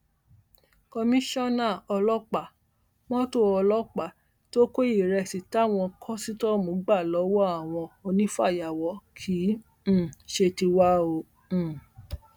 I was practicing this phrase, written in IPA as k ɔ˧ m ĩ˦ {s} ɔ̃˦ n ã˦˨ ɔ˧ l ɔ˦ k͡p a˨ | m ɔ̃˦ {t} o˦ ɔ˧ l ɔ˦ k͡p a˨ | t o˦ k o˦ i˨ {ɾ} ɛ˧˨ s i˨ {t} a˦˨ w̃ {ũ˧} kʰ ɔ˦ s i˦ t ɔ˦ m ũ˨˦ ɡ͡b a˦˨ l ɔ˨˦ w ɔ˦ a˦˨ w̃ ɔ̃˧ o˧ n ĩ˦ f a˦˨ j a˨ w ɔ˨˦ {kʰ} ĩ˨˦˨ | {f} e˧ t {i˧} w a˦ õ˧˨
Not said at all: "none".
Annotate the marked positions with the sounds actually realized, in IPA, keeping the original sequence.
ʃ, t, ɾ, t, ɔ̃˧, kʰ, ʃ, i˧

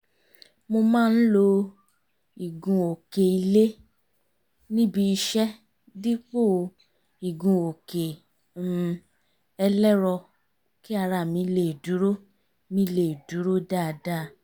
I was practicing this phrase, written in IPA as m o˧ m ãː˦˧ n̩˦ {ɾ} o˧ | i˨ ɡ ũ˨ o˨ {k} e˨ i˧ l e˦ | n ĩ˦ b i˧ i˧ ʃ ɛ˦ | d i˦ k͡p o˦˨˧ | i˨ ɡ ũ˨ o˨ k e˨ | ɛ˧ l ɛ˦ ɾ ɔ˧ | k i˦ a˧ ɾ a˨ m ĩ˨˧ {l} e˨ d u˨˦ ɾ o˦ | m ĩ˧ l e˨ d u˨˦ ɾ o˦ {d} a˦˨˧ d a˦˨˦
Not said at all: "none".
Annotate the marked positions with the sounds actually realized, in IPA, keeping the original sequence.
l, k, l, d

